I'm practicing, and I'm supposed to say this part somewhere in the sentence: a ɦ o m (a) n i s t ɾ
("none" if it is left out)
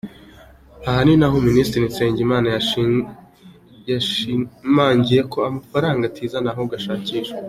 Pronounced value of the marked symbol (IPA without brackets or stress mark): i